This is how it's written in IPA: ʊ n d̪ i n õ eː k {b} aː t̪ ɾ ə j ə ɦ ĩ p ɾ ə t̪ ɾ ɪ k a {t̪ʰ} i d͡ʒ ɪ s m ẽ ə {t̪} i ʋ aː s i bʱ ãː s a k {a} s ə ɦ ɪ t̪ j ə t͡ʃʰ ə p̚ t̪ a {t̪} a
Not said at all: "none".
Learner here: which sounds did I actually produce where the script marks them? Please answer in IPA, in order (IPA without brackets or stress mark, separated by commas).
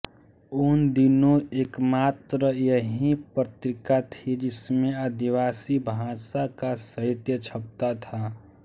m, t̪ʰ, d̪, a, t̪ʰ